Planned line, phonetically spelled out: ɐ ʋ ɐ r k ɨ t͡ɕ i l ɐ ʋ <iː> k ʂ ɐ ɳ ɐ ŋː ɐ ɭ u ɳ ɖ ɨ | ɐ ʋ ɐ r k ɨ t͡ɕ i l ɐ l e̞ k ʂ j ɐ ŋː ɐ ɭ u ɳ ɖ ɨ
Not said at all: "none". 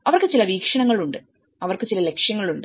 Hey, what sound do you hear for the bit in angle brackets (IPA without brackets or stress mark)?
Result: iː